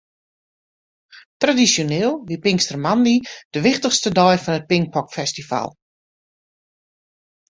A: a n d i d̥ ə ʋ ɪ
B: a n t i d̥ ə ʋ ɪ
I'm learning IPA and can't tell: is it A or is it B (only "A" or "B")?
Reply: A